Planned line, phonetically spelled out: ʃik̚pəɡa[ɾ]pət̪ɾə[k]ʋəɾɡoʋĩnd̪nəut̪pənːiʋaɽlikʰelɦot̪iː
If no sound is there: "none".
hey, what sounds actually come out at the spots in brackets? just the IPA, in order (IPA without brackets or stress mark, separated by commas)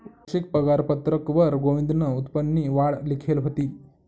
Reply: ɾ, k